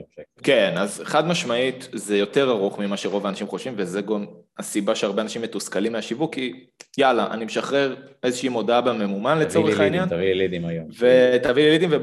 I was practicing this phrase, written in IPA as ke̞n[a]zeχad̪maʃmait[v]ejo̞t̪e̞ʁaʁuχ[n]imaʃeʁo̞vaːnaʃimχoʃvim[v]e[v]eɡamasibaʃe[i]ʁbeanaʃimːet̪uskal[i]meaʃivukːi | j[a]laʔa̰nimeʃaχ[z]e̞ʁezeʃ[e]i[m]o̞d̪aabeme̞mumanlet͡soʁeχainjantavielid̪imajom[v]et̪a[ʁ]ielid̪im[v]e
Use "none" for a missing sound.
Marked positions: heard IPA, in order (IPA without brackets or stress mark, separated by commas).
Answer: a, z, m, v, z, a, i, a, ʁ, i, m, v, v, v